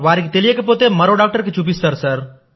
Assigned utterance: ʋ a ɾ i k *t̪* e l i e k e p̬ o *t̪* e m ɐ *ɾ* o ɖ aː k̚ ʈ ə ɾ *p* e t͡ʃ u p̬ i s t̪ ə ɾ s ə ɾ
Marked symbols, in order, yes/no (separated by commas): yes, yes, yes, no